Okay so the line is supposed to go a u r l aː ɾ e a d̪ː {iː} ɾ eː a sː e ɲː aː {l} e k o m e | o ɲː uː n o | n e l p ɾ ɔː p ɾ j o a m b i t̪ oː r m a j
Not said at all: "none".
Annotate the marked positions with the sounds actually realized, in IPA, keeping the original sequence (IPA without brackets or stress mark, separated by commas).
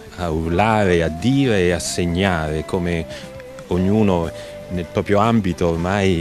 iː, ɾ